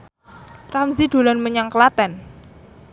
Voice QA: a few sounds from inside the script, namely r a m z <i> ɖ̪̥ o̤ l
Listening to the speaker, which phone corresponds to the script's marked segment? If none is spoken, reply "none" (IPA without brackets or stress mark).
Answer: i